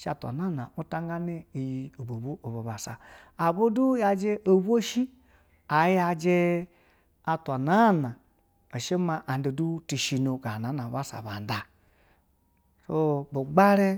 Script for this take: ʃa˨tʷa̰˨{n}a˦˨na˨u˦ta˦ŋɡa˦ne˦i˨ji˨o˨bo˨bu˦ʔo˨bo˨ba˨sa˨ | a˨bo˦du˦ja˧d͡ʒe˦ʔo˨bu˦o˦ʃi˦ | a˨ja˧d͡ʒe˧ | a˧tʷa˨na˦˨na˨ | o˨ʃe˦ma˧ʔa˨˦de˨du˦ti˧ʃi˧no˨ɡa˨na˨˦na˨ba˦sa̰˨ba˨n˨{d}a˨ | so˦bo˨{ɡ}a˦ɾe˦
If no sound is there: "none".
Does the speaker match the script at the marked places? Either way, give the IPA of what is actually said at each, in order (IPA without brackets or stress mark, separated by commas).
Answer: n, d, ɡ͡b